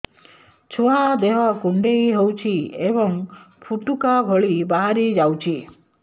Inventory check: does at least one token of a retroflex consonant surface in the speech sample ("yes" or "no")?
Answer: yes